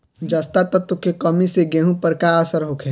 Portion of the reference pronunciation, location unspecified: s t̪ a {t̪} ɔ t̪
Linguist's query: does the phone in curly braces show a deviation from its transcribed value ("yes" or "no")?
no